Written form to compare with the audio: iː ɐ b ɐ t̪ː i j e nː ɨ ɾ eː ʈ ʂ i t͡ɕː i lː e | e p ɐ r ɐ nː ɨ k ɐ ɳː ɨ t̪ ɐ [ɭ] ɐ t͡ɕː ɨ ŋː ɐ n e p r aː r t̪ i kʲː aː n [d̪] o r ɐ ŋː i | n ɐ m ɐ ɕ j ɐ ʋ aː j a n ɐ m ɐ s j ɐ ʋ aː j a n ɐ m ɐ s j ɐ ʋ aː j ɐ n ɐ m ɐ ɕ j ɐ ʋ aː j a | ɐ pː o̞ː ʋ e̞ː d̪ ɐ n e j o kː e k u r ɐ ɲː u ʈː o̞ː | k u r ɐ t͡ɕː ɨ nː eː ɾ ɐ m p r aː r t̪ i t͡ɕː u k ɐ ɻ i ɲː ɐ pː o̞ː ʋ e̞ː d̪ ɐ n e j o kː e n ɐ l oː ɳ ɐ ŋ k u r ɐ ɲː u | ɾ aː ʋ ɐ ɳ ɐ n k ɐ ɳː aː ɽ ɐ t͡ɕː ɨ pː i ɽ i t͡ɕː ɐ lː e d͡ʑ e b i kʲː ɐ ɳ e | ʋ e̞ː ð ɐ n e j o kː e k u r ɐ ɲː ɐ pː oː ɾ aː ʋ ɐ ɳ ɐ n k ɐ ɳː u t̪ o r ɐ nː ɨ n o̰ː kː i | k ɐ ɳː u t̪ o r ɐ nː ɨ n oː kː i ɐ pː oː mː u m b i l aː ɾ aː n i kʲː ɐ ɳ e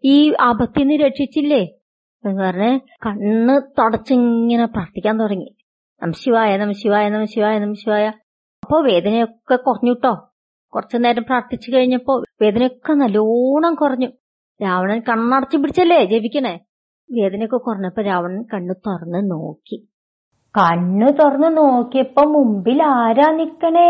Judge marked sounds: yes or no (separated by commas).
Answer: no, no